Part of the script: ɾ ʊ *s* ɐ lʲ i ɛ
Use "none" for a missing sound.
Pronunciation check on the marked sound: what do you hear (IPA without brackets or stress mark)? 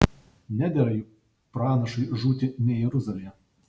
z